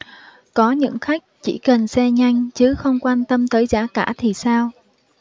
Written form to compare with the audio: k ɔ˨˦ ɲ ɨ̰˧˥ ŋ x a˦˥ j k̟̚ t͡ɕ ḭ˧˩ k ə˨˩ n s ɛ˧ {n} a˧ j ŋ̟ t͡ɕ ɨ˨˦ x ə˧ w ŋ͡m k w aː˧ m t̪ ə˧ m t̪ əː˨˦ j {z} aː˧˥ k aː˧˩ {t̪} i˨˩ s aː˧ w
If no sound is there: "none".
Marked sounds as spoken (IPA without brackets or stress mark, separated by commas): ɲ, z, t̪ʰ